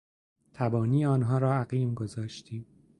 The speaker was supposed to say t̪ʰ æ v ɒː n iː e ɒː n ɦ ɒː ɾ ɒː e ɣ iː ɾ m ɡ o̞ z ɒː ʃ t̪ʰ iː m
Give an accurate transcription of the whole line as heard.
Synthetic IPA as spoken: t̪ʰ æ b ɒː n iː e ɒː n ɦ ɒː ɾ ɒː æ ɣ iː m ɡ o̞ z ɒː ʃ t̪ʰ iː m

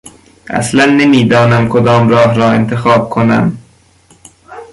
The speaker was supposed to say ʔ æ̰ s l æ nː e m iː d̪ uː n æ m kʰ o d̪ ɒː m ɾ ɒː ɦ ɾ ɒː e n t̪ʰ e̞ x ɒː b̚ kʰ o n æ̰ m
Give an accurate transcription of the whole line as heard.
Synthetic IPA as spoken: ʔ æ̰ s l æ nː e m iː d̪ ɒː n æ m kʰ o d̪ ɒː m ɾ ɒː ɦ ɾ ɒː e n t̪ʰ e̞ x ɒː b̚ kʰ o n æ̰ m

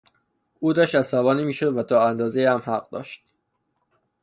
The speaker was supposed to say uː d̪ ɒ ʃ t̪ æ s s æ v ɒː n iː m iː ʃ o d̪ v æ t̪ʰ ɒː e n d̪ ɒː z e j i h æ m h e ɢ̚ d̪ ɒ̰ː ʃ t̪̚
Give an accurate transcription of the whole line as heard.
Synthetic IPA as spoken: uː d̪ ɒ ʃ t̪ æ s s æ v ɒː n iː m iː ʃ o d̪ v æ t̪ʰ ɒː æ n d̪ ɒː z e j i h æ m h æ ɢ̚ d̪ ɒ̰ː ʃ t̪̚

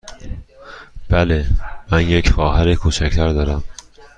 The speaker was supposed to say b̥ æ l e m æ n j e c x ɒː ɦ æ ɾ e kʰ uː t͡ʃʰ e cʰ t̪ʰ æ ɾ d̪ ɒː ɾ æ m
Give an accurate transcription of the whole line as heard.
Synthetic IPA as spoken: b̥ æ l e m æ n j e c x ɒː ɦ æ ɾ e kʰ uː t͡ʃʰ æ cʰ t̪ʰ æ ɾ d̪ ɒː ɾ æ m

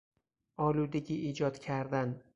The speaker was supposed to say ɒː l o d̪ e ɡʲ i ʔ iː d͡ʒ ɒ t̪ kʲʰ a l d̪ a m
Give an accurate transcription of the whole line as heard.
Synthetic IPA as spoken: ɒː l u d̪ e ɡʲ i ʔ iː d͡ʒ ɒ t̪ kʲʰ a ɾ d̪ a n

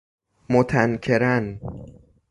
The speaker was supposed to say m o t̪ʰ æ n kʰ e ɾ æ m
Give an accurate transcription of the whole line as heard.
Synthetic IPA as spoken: m o t̪ʰ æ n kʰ e ɾ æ n

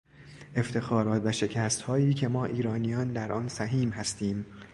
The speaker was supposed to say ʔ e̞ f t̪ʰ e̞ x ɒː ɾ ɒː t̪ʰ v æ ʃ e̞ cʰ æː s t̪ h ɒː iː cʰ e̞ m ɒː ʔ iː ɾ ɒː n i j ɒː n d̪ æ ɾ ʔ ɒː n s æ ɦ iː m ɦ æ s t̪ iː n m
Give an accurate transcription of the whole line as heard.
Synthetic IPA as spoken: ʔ e̞ f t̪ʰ e̞ x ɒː ɾ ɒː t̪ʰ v æ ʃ e̞ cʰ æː s t̪ h ɒː iː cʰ e̞ m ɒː ʔ iː ɾ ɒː n i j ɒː n d̪ æ ɾ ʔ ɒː n s æ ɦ iː m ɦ æ s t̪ iː m

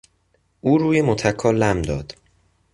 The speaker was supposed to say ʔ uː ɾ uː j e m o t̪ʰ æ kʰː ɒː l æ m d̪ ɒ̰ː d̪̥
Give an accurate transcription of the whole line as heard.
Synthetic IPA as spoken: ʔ uː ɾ uː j e m o t̪ʰ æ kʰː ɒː l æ m d̪ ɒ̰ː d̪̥

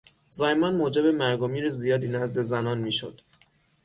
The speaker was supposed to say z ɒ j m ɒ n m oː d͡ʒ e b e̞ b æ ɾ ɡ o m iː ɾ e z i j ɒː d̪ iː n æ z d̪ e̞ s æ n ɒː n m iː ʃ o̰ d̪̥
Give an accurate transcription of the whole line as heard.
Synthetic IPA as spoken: z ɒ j m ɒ n m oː d͡ʒ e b e̞ m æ ɾ ɡ o m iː ɾ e z i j ɒː d̪ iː n æ z d̪ e̞ z æ n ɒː n m iː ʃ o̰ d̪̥

